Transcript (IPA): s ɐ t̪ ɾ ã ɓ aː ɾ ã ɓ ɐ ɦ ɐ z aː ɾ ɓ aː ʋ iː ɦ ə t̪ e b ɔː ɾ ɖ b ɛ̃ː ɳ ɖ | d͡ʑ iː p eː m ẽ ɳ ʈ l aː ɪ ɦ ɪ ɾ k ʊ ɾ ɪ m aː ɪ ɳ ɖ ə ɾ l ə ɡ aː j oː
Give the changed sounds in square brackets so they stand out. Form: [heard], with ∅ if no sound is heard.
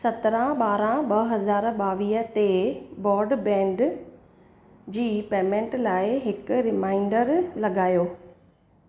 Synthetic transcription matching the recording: s ɐ t̪ ɾ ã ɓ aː ɾ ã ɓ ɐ ɦ ɐ z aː ɾ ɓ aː ʋ iː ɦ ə t̪ e b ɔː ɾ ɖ b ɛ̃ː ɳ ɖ | d͡ʑ iː p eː m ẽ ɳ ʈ l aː ɪ ɦ ɪ [∅] k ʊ ɾ ɪ m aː ɪ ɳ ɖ ə ɾ l [ɐ] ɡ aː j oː